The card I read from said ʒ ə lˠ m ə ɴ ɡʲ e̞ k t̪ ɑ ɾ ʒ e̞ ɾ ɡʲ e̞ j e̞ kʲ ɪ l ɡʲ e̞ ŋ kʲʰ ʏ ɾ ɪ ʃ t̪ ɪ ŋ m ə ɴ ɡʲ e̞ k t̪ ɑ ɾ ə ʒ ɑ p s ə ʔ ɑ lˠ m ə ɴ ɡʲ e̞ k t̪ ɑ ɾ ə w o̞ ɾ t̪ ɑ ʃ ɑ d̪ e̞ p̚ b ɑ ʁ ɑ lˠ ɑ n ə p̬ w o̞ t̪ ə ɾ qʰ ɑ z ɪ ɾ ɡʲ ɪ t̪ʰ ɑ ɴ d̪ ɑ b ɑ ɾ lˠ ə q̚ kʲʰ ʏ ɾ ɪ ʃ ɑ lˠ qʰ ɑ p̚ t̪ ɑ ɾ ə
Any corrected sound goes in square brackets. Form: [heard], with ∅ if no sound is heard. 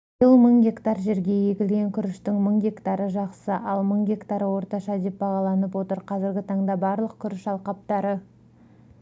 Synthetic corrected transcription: ʒ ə lˠ m ə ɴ ɡʲ e̞ k t̪ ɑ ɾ ʒ e̞ ɾ ɡʲ e̞ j e̞ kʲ ɪ l ɡʲ e̞ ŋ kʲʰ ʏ ɾ ɪ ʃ t̪ ɪ ŋ m ə ɴ ɡʲ e̞ k t̪ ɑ ɾ ə ʒ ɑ [q] s ə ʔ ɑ lˠ m ə ɴ ɡʲ e̞ k t̪ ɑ ɾ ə w o̞ ɾ t̪ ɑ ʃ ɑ d̪ e̞ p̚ b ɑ ʁ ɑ lˠ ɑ n ə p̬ w o̞ t̪ ə ɾ qʰ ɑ z ɪ ɾ ɡʲ ɪ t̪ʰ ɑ ɴ d̪ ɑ b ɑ ɾ lˠ ə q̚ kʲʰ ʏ ɾ ɪ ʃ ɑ lˠ [q] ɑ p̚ t̪ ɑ ɾ ə